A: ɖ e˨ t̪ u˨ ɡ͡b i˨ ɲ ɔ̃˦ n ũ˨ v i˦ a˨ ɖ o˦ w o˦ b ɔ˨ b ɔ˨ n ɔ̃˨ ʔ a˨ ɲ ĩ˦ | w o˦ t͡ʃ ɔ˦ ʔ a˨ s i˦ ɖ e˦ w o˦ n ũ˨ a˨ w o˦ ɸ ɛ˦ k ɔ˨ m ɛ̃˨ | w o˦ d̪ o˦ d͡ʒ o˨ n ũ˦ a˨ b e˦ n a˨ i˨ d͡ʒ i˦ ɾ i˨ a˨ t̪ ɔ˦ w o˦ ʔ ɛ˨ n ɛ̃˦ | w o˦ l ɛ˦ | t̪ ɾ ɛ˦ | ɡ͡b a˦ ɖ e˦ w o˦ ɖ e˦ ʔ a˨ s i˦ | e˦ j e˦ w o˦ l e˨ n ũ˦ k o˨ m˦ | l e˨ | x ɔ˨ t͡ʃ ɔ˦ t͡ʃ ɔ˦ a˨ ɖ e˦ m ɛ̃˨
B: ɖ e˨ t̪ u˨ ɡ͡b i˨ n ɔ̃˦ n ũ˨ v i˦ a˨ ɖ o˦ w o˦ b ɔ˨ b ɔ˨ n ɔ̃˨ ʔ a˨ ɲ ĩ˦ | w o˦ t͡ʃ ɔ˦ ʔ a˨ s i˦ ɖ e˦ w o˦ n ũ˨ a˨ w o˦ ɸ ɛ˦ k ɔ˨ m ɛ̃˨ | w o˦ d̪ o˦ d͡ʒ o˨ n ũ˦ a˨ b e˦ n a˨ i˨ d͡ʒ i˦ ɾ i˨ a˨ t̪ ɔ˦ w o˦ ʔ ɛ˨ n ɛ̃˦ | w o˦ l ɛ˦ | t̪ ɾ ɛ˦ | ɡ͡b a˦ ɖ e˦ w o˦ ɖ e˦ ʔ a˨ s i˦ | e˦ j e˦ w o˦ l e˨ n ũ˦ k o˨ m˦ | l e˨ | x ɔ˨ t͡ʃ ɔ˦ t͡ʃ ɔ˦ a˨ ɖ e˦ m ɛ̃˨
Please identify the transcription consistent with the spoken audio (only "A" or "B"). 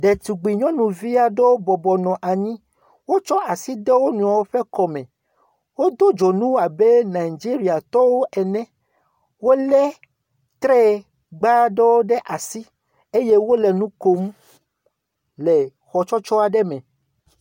A